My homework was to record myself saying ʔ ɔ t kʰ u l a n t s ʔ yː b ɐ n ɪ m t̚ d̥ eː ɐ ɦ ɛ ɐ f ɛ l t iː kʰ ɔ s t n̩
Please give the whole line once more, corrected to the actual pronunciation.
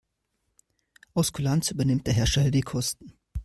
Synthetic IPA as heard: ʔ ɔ s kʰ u l a n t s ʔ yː b ɐ n ɪ m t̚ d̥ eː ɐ ɦ ɛ ɐ ʃ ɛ l d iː kʰ ɔ s t n̩